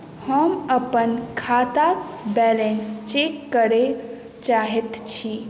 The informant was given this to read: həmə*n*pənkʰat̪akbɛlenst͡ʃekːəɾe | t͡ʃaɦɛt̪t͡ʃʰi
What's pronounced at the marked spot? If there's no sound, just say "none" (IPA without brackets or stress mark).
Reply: none